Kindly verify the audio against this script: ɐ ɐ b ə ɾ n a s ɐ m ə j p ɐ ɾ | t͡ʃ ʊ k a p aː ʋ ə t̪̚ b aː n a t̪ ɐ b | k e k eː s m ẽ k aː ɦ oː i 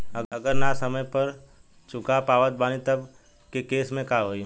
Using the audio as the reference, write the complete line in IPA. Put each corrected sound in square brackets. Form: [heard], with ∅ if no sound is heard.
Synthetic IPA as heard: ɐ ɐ [ɡ] ə ɾ n a s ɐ m ə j p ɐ ɾ | t͡ʃ ʊ k a p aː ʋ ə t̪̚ b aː n [i] t̪ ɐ b | k e k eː s m ẽ k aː ɦ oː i